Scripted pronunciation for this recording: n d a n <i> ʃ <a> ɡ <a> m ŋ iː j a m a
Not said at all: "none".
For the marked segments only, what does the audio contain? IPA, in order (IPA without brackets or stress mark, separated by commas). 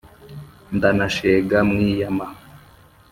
a, e, a